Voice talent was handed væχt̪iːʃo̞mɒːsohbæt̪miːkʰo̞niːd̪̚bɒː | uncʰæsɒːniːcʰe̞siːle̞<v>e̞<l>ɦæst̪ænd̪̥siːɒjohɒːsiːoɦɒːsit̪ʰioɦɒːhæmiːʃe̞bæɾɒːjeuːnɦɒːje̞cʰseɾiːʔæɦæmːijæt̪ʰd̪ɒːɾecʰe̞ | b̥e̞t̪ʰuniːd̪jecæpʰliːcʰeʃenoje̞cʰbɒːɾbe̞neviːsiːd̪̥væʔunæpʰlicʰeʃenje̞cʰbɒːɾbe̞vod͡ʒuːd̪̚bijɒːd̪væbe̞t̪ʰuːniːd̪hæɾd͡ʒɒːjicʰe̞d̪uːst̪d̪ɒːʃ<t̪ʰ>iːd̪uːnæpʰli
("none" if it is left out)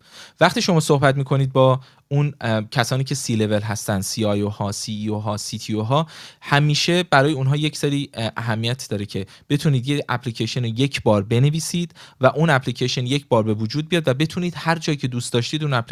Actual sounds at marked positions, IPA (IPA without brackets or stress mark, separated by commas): v, l, t̪